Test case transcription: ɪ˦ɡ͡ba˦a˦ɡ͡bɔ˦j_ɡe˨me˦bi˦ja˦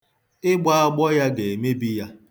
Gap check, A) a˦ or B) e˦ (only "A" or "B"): A